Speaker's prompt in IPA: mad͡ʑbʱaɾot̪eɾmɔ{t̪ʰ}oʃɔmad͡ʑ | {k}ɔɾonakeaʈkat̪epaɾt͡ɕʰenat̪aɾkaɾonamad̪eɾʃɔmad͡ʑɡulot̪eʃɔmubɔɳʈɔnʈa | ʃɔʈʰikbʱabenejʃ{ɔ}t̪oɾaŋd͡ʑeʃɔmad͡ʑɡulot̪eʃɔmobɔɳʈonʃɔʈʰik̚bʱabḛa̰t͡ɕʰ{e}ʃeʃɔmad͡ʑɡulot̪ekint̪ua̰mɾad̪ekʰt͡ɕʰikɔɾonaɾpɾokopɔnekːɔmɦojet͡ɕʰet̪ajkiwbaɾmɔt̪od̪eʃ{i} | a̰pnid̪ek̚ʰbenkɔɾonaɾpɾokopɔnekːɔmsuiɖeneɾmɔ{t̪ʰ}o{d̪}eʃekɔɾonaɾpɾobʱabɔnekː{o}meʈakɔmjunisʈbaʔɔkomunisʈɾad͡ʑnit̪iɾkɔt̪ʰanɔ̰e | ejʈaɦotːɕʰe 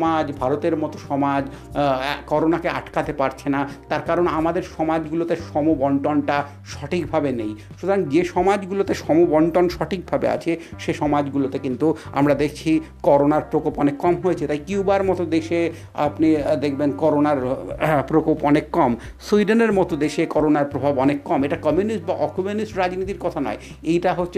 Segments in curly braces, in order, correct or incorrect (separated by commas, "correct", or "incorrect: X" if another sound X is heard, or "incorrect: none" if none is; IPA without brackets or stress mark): incorrect: t̪, correct, incorrect: u, correct, incorrect: e, incorrect: t̪, correct, incorrect: ɔ